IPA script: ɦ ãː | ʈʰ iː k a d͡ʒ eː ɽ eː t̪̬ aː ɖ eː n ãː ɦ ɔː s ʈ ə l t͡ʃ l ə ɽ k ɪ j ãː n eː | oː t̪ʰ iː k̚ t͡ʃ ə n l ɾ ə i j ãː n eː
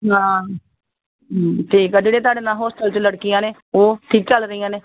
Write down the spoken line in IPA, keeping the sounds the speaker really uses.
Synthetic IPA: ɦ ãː | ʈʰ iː k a d͡ʒ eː ɽ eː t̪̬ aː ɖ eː n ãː ɦ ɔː s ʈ ə l t͡ʃ l ə ɽ k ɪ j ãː n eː | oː t̪ʰ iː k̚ t͡ʃ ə l ɾ ə i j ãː n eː